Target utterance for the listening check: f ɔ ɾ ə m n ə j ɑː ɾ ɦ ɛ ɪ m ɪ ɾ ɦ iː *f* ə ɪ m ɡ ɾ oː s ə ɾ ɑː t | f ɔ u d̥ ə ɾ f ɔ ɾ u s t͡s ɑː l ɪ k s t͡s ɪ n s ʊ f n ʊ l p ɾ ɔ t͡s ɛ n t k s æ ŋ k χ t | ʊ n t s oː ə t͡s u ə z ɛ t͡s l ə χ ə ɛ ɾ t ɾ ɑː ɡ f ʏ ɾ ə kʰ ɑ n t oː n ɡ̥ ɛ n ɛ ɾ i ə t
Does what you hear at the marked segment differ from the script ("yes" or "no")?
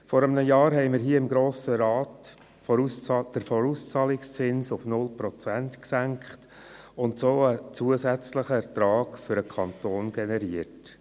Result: yes